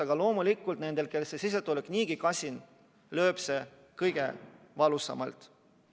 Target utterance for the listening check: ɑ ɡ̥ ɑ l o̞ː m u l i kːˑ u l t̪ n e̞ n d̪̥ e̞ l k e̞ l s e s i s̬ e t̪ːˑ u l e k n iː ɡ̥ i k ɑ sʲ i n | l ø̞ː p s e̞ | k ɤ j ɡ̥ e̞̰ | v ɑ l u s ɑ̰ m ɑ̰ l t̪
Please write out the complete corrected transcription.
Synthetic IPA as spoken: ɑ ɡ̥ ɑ l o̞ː m u l i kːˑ u l t̪ n e̞ n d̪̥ e̞ l k e̞ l s e s i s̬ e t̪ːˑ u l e k n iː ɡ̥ i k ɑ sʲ i n | l ø̞ː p s e̞ | k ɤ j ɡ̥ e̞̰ | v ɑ l u s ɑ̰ m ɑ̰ l t̪

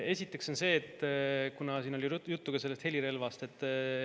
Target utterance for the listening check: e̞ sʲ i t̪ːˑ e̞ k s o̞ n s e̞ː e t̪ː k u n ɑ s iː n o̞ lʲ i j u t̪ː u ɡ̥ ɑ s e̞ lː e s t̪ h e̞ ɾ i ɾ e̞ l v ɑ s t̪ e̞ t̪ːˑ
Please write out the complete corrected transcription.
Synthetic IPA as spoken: e̞ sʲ i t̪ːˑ e̞ k s o̞ n s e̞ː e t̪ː k u n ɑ s iː n o̞ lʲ i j u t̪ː u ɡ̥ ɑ s e̞ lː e s t̪ h e̞ l i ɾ e̞ l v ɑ s t̪ e̞ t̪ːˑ

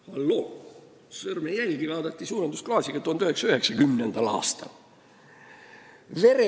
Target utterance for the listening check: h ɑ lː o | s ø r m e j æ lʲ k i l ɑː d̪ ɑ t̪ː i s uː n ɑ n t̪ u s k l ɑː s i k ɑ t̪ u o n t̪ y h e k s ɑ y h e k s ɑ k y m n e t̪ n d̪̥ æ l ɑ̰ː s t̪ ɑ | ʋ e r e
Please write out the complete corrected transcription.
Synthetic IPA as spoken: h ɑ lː o | s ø r m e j æ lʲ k i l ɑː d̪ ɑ t̪ː i s uː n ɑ n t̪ u s k l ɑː s i k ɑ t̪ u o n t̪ y h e k s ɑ y h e k s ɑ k y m n e n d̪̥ æ l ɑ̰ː s t̪ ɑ | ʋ e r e

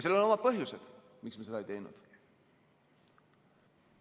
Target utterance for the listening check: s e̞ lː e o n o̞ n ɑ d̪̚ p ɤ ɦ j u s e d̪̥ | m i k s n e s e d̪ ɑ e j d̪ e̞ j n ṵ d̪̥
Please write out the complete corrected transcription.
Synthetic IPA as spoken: s e̞ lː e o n o̞ m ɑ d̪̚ p ɤ ɦ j u s e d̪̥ | m i k s m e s e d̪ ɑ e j t̪ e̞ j n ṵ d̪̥

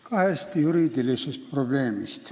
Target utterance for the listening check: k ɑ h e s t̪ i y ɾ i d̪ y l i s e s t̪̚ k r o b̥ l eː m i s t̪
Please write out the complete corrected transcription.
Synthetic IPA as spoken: k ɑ h e s t̪ j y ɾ i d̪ i l i s e s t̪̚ p r o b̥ l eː m i s t̪

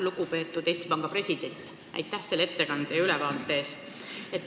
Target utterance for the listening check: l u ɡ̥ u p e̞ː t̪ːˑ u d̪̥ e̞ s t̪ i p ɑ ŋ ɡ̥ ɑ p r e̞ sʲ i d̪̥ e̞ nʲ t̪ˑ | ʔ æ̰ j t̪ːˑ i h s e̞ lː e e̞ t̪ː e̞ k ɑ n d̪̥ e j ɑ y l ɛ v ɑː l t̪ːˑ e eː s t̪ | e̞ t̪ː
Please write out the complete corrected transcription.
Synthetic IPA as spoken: l u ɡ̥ u p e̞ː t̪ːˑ u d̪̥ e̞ s t̪ i p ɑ ŋ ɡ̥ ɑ p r e̞ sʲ i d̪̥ e̞ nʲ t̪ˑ | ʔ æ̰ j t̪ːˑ æ h s e̞ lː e e̞ t̪ː e̞ k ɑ n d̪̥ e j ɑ y l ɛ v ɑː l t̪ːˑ e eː s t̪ | e̞ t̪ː

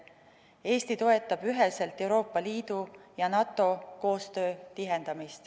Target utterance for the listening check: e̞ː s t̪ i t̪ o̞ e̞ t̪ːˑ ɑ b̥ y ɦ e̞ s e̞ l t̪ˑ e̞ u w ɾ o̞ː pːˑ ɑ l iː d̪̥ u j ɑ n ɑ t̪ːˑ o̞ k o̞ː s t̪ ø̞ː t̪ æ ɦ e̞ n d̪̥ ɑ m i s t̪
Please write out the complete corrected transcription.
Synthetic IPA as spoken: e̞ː s t̪ i t̪ o̞ e̞ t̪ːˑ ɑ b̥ y ɦ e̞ s e̞ l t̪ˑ e̞ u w ɾ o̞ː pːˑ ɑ l iː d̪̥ u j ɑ n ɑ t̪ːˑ o̞ k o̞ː s t̪ ø̞ː t̪ i ɦ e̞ n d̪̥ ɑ m i s t̪

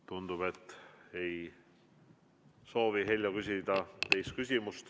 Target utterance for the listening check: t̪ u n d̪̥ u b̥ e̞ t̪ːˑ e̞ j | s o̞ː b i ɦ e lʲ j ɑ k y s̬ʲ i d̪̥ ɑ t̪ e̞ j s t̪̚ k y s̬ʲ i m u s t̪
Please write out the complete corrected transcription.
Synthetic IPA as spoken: t̪ u n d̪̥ u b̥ e̞ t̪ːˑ e̞ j | s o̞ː v i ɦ e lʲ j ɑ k y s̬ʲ i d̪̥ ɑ t̪ e̞ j s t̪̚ k y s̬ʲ i m u s t̪

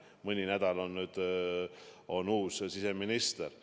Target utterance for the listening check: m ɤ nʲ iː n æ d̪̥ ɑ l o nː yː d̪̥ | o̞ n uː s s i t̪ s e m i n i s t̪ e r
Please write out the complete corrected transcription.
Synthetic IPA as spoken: m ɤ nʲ i n æ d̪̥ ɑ l o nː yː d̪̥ | o̞ n uː s s i s e m i n i s t̪ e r

